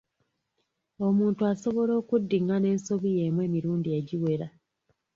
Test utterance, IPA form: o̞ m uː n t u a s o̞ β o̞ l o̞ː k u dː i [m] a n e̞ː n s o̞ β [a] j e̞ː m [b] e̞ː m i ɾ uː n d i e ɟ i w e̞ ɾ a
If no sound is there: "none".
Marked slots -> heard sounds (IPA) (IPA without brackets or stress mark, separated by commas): ŋ, i, w